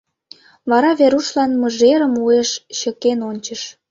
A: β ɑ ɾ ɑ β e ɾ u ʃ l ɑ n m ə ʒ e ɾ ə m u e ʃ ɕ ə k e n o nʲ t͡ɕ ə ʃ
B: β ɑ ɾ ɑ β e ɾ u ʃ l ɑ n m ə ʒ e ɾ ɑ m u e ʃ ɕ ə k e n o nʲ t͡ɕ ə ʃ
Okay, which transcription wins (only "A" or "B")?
A